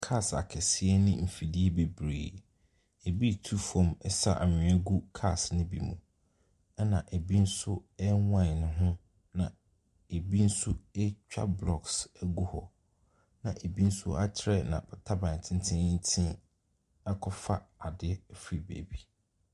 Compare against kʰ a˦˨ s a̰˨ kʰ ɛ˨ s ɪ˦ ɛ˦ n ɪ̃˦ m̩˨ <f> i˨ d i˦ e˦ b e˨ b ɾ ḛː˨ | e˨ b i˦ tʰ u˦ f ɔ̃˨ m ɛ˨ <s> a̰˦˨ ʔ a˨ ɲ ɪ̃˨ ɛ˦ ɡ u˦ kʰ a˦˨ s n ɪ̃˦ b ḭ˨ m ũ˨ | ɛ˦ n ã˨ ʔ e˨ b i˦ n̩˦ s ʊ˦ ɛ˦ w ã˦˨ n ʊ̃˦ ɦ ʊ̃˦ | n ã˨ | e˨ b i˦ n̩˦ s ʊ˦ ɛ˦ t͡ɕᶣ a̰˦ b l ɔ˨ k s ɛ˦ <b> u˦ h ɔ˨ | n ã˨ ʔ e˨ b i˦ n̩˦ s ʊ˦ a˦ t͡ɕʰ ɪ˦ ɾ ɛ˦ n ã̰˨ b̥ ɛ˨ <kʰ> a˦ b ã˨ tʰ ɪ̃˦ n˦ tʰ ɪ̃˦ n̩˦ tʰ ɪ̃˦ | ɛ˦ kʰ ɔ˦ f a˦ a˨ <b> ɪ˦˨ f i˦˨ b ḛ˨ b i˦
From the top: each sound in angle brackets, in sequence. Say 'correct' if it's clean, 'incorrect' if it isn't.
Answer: correct, correct, incorrect: ɡ, incorrect: tʰ, incorrect: d

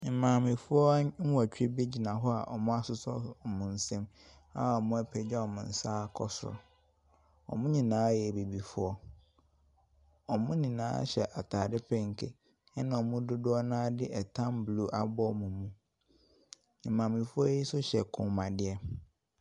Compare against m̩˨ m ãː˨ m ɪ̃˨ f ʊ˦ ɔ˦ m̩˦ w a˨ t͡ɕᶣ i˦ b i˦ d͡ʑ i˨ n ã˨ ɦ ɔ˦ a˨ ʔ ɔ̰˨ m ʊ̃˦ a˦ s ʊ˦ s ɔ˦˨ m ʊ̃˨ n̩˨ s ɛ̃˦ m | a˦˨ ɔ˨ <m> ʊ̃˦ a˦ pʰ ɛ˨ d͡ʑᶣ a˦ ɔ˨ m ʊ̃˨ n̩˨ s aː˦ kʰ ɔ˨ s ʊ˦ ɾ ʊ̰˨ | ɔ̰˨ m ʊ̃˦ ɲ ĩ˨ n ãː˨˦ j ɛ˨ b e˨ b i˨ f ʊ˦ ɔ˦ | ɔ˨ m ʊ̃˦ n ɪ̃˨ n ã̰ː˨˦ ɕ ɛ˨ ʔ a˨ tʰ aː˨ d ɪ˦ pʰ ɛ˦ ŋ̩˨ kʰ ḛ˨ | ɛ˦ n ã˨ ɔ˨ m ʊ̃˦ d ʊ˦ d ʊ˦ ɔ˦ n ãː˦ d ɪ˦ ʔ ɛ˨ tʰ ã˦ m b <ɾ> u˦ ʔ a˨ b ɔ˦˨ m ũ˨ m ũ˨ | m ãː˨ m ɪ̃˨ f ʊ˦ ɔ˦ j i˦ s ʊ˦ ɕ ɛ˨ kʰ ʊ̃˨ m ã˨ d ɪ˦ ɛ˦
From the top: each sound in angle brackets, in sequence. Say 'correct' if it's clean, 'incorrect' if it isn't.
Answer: correct, incorrect: l

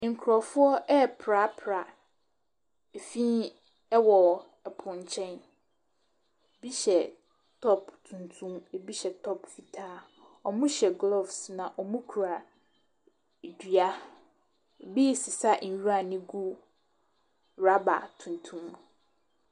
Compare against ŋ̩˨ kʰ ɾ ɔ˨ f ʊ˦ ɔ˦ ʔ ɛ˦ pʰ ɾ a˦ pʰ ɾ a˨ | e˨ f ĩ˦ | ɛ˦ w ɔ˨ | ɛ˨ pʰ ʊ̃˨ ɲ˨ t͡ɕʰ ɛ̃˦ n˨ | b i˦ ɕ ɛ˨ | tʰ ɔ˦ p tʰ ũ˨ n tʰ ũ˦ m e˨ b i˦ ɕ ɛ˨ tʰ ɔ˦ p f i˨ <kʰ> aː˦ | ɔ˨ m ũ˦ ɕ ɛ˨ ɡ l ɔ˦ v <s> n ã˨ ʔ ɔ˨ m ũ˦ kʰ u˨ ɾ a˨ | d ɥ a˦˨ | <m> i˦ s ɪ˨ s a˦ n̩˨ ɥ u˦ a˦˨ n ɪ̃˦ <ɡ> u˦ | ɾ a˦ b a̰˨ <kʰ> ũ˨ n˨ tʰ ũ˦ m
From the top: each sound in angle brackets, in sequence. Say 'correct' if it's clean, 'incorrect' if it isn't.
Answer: incorrect: tʰ, correct, incorrect: b, correct, incorrect: tʰ

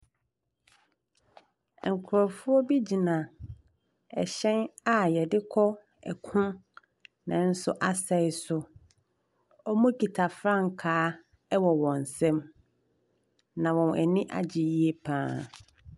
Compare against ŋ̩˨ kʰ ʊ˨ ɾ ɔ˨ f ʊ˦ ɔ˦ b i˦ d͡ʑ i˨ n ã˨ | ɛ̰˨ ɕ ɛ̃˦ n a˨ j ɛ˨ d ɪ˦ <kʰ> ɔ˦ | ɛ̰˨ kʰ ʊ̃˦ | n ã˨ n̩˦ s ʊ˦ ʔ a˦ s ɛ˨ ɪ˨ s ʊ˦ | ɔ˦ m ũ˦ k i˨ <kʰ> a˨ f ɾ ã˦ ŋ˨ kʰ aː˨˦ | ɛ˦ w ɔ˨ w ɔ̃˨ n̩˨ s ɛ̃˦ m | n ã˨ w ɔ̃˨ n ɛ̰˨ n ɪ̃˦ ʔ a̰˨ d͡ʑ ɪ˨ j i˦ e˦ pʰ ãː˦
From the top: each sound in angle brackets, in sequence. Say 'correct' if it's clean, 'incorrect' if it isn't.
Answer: correct, incorrect: tʰ

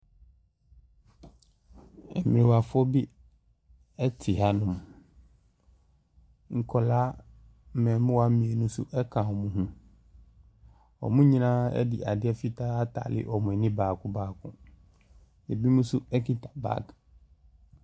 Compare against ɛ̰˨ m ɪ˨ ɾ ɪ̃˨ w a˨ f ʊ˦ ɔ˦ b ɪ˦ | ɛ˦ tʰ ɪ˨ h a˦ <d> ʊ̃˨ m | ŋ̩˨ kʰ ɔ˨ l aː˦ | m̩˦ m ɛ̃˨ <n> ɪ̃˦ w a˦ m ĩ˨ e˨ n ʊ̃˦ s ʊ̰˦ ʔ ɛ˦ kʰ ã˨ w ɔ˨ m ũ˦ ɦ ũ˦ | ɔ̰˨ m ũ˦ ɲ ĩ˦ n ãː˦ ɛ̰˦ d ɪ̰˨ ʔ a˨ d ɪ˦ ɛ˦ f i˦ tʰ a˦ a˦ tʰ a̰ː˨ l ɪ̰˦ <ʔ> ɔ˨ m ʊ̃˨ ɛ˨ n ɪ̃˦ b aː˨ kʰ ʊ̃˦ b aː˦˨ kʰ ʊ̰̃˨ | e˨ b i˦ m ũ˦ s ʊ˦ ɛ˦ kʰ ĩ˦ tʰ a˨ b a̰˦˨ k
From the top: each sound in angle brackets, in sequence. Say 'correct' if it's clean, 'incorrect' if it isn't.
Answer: incorrect: n, incorrect: m, correct

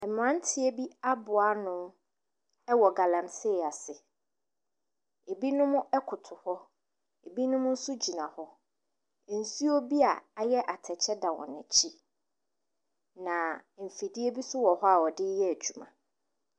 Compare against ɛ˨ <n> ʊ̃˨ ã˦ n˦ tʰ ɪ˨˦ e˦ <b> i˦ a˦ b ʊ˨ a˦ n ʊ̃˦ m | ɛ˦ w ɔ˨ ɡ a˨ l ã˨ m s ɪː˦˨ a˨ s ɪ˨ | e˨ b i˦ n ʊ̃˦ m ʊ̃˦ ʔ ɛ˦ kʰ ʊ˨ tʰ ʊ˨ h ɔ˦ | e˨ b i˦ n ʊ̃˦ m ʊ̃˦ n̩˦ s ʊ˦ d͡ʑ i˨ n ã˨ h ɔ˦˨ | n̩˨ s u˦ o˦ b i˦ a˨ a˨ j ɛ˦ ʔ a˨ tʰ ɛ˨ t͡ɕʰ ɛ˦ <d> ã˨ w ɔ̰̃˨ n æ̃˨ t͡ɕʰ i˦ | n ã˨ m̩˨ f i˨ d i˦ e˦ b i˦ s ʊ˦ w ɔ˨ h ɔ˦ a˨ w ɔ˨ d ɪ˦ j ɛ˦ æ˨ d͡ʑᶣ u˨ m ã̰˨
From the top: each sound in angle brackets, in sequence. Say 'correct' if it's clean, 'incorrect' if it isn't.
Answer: incorrect: m, correct, correct

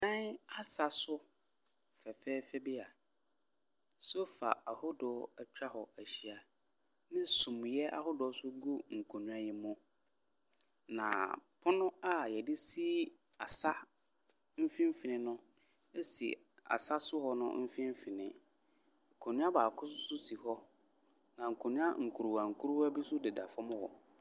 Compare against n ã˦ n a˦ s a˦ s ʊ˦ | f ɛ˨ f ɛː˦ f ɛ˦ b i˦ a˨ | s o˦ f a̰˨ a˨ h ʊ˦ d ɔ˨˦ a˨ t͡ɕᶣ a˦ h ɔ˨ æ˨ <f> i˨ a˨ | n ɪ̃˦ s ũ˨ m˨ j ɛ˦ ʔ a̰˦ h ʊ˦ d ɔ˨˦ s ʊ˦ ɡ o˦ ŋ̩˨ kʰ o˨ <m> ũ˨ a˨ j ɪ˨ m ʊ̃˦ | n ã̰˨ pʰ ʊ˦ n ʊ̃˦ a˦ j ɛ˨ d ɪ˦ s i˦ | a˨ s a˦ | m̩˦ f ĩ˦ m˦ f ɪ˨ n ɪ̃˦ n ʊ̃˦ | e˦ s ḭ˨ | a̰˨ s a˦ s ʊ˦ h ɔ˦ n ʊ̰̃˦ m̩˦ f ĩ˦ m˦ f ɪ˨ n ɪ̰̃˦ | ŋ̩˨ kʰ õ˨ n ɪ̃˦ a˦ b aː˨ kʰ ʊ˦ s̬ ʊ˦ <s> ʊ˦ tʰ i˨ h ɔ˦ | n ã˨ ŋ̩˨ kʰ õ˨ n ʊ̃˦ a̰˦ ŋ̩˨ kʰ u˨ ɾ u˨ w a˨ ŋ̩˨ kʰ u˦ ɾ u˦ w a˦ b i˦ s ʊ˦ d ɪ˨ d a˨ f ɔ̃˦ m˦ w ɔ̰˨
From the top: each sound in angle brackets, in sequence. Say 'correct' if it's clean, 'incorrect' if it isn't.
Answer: incorrect: ɕ, incorrect: n, correct

